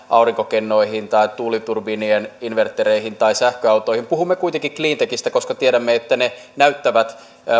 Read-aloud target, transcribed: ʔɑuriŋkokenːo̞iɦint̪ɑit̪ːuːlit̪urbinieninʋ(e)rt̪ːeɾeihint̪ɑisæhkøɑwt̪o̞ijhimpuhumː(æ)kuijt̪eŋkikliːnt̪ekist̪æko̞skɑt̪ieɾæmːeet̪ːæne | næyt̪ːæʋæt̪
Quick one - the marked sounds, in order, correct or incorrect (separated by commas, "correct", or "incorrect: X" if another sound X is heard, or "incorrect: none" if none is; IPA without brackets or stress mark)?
correct, incorrect: e